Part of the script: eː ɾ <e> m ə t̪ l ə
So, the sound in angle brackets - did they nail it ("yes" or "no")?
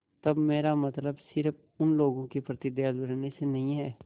no